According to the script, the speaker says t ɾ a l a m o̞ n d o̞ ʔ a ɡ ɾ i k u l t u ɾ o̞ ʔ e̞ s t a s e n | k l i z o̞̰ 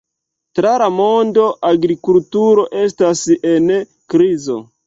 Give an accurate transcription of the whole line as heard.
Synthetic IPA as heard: t ɾ a l a m o̞ n d o̞ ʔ a ɡ ɾ i k u l t u ɾ o̞ ʔ e̞ s t a s e n | k ɾ i z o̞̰